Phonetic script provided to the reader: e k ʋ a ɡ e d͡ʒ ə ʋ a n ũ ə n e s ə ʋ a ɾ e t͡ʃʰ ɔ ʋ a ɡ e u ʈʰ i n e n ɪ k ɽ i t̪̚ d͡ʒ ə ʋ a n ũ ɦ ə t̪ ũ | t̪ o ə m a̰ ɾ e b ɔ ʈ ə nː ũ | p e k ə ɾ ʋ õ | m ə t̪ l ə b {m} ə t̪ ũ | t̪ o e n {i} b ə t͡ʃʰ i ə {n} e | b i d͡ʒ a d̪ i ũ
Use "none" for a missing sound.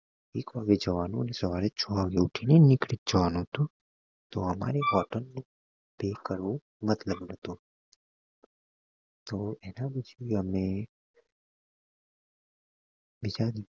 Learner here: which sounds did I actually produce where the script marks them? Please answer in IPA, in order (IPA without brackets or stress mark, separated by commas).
n, a, m